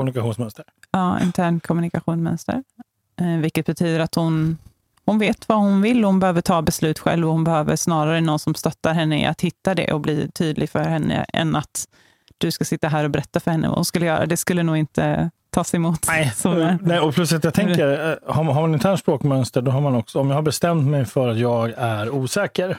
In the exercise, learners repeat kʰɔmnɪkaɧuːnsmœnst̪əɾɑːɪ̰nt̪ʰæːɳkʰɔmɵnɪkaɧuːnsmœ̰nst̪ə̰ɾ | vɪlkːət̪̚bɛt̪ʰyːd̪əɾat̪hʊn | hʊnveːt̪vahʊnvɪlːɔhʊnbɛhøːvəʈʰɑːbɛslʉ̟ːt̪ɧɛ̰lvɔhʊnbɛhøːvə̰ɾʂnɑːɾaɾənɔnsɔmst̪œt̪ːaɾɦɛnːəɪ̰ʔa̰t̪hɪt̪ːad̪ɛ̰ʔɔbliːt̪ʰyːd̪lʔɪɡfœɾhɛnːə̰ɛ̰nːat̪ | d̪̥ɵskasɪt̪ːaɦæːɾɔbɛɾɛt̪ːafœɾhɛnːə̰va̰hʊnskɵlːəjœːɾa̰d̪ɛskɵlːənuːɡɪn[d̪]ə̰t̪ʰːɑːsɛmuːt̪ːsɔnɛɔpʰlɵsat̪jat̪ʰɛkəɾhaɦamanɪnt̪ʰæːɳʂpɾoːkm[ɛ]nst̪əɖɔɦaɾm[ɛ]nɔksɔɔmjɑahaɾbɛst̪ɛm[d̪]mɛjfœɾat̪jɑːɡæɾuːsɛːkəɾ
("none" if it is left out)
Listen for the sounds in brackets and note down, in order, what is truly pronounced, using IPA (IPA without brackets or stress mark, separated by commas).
t̪, œ, a, t̪